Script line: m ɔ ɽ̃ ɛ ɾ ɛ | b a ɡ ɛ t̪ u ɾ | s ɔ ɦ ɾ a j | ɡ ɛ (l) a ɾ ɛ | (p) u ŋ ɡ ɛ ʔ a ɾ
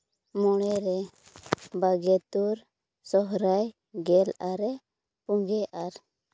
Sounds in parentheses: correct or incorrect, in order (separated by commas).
correct, correct